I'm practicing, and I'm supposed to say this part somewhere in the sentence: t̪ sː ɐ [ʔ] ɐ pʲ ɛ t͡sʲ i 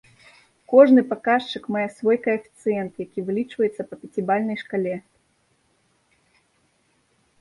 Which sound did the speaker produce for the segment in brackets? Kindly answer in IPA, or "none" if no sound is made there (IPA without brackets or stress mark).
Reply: p